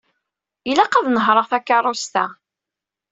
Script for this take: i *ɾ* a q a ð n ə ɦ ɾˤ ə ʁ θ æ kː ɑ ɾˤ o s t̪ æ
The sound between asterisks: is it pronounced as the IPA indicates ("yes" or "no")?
no